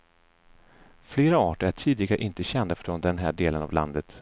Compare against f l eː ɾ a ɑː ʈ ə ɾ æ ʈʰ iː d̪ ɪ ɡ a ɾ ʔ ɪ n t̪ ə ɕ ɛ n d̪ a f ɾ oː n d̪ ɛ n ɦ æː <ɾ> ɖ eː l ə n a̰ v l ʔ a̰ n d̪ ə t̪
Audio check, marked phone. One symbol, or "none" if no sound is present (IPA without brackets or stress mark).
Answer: none